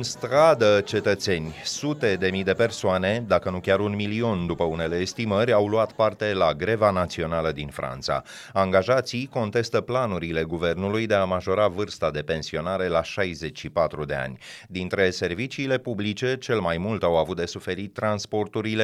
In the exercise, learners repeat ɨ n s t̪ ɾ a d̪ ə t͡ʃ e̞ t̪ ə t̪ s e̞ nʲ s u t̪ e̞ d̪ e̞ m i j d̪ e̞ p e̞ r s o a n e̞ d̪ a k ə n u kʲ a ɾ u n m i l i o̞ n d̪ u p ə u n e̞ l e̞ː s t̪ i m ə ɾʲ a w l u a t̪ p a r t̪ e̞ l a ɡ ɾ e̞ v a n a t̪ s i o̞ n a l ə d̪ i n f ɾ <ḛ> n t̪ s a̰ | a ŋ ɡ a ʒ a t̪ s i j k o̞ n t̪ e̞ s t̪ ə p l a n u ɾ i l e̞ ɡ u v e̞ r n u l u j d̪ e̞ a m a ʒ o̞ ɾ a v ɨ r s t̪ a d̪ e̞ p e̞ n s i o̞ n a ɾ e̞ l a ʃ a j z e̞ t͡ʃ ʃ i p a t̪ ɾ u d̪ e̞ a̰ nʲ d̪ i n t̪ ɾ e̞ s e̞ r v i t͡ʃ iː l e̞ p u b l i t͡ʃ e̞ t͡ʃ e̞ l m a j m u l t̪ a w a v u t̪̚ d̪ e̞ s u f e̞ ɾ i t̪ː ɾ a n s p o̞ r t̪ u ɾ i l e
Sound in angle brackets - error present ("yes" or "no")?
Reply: yes